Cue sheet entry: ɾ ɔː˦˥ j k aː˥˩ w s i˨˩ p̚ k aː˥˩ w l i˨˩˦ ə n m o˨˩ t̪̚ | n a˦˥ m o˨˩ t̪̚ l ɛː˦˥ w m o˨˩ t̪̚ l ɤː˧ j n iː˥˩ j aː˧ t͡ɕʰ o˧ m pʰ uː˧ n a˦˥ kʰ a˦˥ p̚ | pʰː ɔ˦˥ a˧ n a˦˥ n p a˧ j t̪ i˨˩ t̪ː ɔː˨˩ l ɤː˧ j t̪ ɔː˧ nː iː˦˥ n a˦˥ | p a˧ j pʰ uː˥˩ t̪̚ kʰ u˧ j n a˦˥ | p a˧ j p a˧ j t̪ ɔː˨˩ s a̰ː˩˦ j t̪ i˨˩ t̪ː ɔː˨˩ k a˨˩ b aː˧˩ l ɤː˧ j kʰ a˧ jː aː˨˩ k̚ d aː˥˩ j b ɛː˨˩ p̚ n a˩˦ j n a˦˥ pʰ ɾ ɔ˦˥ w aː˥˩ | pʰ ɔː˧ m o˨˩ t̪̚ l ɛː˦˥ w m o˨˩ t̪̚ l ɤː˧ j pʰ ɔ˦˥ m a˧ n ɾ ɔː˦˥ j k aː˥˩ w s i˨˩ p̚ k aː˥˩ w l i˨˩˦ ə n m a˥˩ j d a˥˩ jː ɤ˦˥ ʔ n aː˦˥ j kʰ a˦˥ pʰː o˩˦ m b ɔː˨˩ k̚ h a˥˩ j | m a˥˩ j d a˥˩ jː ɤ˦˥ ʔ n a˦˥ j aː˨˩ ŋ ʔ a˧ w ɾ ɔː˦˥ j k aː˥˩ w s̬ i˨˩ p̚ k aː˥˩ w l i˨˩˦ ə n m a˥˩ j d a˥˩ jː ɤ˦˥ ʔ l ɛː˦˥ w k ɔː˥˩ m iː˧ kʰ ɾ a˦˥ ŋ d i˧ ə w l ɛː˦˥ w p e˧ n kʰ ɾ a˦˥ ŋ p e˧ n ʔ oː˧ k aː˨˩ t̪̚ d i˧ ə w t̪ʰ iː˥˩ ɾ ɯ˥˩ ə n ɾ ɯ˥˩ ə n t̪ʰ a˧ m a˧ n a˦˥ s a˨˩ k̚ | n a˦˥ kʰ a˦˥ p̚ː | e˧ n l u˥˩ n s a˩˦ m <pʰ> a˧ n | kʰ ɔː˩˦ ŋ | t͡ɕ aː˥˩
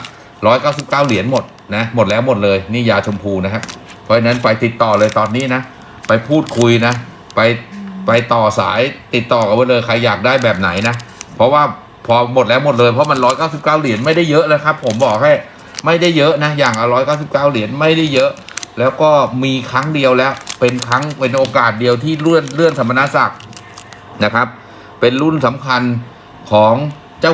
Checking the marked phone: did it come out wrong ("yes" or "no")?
yes